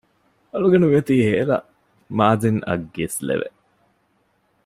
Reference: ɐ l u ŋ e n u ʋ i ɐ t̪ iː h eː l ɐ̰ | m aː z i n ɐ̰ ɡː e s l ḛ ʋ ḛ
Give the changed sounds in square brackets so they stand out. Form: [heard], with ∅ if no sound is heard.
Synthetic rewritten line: ɐ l u [ɡ] e n u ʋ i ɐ t̪ iː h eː l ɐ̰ | m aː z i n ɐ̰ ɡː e s l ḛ ʋ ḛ

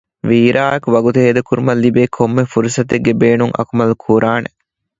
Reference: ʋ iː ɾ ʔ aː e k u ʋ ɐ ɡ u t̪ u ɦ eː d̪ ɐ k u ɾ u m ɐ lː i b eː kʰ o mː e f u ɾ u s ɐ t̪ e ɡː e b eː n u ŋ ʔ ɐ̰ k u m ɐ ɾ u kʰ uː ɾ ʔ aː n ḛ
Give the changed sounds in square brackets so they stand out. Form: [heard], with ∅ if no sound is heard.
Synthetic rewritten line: ʋ iː ɾ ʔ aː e k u ʋ ɐ ɡ u t̪ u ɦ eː d̪ ɐ k u ɾ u m ɐ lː i b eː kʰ o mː e f u ɾ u s ɐ t̪ e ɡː e b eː n u ŋ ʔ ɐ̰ k u m ɐ [l] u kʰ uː ɾ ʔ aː n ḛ

